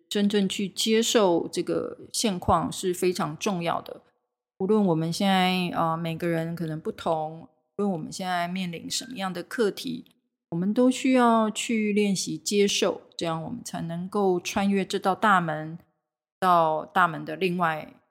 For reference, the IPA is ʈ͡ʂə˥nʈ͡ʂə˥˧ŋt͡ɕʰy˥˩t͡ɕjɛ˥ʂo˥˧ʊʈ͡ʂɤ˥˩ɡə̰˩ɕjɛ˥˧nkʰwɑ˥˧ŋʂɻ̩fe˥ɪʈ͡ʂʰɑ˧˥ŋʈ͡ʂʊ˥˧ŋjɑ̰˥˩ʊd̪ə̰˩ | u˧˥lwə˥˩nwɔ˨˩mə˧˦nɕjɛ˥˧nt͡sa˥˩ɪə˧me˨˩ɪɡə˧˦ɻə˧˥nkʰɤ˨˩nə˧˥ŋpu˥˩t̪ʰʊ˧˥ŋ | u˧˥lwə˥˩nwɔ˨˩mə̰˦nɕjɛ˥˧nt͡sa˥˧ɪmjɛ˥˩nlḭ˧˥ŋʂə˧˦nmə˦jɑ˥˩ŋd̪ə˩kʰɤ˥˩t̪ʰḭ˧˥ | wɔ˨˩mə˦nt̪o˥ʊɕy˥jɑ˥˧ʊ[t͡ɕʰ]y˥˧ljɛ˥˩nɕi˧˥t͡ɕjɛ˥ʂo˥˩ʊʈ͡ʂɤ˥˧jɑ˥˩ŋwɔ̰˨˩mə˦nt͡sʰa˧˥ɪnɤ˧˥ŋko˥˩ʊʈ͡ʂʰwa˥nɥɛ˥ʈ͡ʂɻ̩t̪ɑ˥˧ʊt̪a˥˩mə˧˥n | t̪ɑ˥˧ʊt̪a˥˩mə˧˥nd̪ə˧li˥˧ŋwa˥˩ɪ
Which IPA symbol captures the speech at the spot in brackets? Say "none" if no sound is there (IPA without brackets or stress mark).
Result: t͡ɕʰ